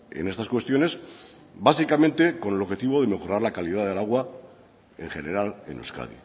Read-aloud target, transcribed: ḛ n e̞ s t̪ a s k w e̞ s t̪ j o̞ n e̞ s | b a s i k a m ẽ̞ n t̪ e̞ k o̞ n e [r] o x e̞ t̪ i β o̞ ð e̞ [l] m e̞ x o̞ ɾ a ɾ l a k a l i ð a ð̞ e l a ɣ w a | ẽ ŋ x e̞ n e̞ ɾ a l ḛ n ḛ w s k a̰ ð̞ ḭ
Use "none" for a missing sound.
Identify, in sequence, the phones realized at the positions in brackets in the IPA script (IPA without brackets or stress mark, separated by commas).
l, none